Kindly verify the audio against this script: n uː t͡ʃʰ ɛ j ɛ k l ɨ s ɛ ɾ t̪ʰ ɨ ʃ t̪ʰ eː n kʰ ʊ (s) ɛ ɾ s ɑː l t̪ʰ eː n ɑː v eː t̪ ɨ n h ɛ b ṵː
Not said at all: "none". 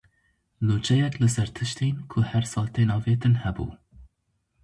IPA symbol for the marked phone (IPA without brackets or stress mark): h